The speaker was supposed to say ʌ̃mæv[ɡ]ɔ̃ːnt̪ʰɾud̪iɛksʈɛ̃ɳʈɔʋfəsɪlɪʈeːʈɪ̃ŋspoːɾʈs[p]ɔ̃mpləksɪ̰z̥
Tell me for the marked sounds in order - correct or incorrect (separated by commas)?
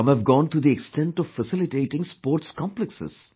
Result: correct, incorrect